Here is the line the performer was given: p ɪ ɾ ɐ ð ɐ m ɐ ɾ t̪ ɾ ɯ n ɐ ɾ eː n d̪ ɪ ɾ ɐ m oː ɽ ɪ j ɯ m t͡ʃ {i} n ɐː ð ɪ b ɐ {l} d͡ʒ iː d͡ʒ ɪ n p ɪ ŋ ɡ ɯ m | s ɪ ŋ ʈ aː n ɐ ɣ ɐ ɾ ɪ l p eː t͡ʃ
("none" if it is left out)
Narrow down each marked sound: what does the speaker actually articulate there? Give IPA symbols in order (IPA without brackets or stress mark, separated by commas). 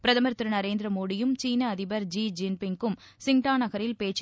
iː, ɾ